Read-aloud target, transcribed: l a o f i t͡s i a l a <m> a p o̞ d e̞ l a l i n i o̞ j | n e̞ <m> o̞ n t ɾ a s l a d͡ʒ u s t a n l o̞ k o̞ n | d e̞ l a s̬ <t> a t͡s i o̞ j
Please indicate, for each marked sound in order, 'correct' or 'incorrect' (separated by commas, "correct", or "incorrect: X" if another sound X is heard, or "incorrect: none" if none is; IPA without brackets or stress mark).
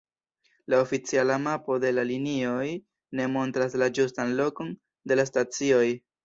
correct, correct, correct